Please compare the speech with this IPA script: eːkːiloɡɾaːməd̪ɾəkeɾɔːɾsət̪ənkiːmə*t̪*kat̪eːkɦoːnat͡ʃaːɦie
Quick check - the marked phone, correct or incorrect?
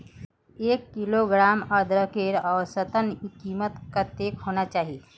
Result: correct